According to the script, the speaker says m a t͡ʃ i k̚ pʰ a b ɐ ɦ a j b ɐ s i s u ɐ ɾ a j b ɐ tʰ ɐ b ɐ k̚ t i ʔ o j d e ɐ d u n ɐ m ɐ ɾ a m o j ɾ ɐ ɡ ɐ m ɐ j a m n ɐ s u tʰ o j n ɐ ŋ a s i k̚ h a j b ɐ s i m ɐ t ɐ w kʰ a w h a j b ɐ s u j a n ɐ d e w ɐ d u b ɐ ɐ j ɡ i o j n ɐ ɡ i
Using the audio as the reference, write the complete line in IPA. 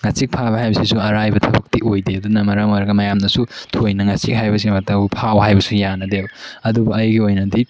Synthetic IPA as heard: ŋ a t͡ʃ i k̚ pʰ a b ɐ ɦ a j b ɐ s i s u ɐ ɾ a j b ɐ tʰ ɐ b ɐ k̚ t i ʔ o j d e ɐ d u n ɐ m ɐ ɾ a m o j ɾ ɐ ɡ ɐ m ɐ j a m n ɐ s u tʰ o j n ɐ ŋ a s i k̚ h a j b ɐ s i m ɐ t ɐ w pʰ a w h a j b ɐ s u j a n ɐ d e w ɐ d u b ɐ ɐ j ɡ i o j n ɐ d i